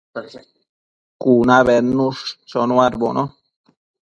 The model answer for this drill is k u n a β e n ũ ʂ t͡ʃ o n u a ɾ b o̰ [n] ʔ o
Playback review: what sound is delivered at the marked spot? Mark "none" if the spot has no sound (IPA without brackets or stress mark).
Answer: n